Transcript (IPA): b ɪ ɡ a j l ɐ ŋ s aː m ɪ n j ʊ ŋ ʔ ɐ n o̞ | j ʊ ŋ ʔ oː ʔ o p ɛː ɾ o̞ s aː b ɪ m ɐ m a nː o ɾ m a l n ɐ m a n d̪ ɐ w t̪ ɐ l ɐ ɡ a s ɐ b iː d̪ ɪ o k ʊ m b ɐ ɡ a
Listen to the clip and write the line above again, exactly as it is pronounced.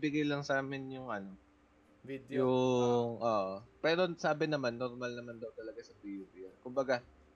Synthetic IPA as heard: b ɪ ɡ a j l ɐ ŋ s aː m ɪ n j ʊ ŋ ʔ ɐ n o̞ | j ʊ ŋ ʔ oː ʔ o p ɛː ɾ o̞ s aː b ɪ n ɐ m a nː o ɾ m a l n ɐ m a n d̪ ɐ w t̪ ɐ l ɐ ɡ a s ɐ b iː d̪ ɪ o k ʊ m b ɐ ɡ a